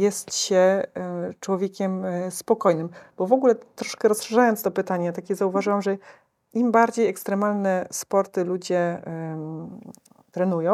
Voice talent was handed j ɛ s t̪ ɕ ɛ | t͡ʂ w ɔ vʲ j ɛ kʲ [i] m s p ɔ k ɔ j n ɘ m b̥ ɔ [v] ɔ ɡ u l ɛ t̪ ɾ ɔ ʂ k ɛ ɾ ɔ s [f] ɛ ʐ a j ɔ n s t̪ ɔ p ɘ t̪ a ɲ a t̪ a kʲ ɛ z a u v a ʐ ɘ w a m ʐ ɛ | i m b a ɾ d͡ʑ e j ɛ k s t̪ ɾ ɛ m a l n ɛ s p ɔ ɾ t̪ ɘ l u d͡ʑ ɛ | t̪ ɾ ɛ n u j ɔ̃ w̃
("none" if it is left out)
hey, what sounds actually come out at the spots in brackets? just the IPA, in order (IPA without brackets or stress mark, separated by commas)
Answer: ɛ, v, ʂ